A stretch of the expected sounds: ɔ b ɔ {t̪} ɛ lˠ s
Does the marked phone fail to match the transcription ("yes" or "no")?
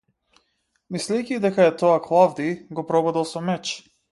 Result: yes